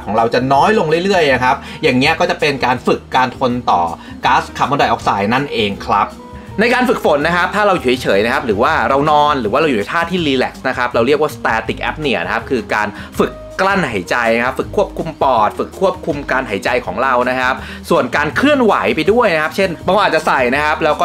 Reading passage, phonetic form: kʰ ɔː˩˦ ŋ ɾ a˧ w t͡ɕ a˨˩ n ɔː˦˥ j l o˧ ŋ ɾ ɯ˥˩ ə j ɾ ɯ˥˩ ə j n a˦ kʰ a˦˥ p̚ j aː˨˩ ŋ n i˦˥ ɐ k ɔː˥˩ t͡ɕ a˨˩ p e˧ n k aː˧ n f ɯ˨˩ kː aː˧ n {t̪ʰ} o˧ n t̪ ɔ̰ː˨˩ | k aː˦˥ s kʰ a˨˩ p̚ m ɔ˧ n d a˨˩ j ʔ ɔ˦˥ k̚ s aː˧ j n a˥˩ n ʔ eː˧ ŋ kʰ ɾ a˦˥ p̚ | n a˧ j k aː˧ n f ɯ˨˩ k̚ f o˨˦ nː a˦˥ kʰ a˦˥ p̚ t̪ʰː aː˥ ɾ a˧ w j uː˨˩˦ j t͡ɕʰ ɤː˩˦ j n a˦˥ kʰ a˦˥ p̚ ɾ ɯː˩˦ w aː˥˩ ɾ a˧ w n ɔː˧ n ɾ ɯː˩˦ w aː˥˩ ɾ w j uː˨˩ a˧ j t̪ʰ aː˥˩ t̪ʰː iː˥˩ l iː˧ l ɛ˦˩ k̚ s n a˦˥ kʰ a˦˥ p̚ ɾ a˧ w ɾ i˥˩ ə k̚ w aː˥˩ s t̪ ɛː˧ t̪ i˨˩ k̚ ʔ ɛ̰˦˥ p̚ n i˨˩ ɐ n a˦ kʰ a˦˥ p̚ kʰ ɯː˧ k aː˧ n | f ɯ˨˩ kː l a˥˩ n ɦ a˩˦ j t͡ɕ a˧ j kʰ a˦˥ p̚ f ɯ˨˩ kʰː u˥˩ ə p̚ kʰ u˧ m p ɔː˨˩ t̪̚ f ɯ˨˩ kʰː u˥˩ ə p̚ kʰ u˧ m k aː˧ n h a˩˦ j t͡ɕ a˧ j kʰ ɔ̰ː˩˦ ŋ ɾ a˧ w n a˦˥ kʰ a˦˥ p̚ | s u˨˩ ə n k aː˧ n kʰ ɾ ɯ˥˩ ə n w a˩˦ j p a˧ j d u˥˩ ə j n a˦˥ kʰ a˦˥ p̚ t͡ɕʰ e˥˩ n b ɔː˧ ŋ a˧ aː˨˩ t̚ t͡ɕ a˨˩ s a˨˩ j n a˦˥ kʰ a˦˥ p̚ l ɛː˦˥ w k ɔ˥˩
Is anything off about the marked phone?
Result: no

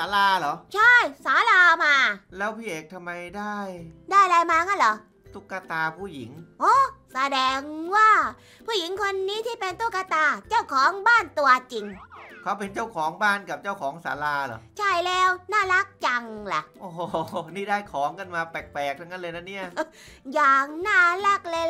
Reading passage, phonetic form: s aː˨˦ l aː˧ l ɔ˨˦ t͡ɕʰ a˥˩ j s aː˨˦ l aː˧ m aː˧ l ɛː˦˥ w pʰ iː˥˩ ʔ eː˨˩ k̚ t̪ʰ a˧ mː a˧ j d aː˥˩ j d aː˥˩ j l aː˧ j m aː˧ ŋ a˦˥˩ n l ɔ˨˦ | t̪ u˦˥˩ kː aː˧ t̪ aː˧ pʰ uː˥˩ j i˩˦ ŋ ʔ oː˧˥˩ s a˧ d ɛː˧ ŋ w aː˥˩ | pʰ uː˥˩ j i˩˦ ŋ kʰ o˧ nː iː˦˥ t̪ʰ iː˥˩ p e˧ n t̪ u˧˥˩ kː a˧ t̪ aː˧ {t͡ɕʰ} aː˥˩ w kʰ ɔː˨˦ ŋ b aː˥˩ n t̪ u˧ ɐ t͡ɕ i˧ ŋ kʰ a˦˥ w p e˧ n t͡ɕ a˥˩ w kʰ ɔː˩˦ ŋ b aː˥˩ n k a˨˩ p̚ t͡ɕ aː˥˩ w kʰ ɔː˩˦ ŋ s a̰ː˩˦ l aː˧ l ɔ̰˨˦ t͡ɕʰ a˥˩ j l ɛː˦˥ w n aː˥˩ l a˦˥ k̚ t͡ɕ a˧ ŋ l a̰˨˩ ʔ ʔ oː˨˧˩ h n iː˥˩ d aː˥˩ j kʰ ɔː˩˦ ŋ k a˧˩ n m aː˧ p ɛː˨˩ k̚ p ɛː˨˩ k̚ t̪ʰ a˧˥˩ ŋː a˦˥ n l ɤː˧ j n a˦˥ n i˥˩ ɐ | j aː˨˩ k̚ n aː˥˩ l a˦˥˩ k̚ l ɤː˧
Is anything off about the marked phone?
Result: yes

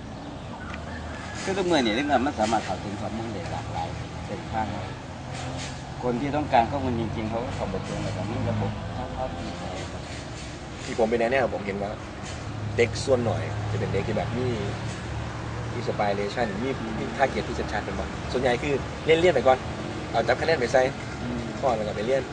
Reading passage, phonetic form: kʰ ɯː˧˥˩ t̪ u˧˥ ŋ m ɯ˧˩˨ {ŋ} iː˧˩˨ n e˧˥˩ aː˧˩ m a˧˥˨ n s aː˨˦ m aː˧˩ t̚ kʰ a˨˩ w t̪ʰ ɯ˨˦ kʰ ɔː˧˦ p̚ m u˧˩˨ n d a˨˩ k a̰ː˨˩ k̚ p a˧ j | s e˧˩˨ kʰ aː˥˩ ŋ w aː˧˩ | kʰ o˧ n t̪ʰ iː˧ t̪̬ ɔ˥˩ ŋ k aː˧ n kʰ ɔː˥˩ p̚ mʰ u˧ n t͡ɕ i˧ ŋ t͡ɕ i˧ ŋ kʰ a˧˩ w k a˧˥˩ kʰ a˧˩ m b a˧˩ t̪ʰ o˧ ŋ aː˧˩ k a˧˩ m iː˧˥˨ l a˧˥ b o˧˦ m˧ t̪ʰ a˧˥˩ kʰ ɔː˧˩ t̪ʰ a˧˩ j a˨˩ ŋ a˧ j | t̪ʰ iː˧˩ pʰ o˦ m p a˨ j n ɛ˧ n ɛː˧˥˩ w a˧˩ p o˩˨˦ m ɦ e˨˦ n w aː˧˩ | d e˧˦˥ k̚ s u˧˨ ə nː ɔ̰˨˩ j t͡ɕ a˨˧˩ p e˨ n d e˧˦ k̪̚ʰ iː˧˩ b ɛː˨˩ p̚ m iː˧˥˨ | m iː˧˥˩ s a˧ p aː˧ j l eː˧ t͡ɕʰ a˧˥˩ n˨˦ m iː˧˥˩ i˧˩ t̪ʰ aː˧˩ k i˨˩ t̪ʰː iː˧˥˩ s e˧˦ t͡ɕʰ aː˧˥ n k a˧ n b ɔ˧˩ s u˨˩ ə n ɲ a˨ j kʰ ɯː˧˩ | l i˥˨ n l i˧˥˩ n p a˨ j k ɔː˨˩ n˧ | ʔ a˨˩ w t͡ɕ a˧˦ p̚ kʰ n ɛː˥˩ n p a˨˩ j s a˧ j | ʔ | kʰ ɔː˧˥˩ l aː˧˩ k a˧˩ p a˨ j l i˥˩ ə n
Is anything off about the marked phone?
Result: yes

